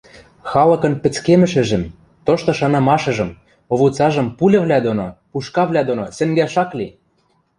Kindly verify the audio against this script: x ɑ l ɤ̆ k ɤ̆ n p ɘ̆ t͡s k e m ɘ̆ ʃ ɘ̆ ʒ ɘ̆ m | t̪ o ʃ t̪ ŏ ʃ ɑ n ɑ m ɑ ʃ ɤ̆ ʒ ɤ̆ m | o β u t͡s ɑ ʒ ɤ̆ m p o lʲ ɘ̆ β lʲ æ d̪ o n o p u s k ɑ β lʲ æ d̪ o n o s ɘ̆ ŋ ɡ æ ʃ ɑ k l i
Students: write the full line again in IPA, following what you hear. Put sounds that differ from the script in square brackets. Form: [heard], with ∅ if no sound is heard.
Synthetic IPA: x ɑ l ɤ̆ k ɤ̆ n p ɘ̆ t͡s k e m ɘ̆ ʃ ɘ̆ ʒ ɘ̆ m | t̪ o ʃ t̪ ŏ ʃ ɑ n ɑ m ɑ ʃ ɤ̆ ʒ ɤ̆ m | o β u t͡s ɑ ʒ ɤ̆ m p [u] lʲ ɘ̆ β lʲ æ d̪ o n o p u [ʃ] k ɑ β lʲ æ d̪ o n o s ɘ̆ ŋ ɡ æ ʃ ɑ k l i